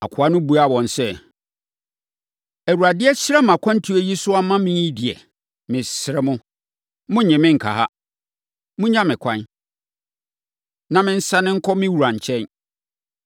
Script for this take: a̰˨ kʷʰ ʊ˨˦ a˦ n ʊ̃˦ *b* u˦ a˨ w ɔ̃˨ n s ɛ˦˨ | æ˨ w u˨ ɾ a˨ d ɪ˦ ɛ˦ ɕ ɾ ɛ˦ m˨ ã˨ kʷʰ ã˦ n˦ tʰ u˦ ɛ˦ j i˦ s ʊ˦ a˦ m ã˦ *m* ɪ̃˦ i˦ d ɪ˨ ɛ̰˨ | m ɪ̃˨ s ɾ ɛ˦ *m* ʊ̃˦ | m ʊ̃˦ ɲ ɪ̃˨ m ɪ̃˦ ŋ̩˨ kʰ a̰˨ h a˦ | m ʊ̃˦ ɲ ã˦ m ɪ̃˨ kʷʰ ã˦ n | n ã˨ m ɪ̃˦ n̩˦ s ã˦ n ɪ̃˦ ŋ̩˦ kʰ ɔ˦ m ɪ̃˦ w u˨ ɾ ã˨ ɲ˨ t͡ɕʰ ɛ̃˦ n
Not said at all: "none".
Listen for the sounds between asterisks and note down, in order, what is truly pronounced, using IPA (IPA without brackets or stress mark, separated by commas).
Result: b, m, m